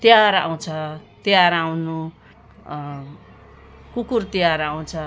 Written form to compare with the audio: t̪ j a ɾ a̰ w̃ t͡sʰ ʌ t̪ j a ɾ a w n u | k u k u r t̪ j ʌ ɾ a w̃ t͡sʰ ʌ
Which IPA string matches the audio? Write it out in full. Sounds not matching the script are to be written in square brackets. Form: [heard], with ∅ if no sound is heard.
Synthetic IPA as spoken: t̪ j a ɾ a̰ w̃ t͡sʰ ʌ t̪ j a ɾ a w n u | k u k u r t̪ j [a] ɾ a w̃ t͡sʰ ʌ